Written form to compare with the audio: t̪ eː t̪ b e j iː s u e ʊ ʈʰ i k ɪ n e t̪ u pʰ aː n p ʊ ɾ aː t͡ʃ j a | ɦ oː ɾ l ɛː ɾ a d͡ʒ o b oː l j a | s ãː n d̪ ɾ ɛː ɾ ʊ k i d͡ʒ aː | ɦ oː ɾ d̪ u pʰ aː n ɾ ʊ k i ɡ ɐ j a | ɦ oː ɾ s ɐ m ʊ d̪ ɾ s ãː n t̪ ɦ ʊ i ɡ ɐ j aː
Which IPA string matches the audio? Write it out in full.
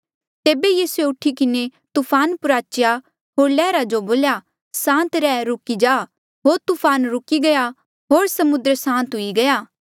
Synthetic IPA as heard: t̪ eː b e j iː s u e ʊ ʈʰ i k ɪ n e t̪ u pʰ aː n p ʊ ɾ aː t͡ʃ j a | ɦ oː ɾ l ɛː ɾ a d͡ʒ o b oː l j a | s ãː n t̪ ɾ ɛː ɾ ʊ k i d͡ʒ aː | ɦ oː ɾ t̪ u pʰ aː n ɾ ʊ k i ɡ ɐ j a | ɦ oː ɾ s ɐ m ʊ d̪ ɾ s ãː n t̪ ɦ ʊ i ɡ ɐ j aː